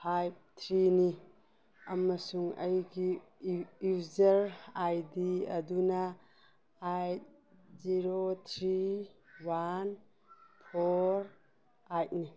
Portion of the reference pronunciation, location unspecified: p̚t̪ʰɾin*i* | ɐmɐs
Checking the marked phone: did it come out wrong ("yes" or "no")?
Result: no